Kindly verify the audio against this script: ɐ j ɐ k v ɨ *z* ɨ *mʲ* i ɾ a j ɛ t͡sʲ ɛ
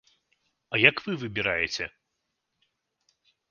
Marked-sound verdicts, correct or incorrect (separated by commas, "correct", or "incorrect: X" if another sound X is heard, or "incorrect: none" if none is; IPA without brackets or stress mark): incorrect: v, incorrect: bʲ